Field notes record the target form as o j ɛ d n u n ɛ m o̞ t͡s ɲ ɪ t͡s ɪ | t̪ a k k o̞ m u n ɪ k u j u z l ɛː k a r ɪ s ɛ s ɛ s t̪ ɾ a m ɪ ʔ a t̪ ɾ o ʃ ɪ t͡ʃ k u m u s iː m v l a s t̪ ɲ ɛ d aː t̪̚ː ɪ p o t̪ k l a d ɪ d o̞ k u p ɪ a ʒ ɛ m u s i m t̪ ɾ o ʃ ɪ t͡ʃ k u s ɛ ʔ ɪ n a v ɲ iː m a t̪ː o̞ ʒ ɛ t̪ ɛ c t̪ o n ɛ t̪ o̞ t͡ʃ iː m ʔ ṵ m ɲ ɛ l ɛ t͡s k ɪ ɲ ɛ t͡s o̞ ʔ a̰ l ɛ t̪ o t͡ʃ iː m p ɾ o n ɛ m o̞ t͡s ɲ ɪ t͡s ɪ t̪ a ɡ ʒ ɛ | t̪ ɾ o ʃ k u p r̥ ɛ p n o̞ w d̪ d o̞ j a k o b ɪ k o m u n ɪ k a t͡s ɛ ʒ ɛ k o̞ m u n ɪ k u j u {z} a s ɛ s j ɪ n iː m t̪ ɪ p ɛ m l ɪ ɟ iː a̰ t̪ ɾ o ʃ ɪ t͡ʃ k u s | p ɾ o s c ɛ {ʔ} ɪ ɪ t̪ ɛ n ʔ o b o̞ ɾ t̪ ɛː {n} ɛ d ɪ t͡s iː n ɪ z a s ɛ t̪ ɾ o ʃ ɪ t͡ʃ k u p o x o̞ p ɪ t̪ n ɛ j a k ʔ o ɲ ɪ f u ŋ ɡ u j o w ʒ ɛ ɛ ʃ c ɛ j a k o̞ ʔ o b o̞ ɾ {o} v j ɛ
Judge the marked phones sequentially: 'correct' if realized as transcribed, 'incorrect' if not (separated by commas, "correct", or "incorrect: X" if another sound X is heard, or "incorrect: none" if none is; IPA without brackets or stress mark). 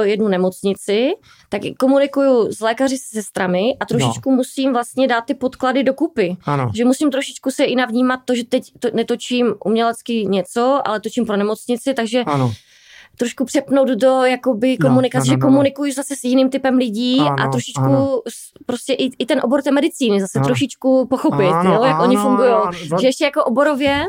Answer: correct, correct, incorrect: m, correct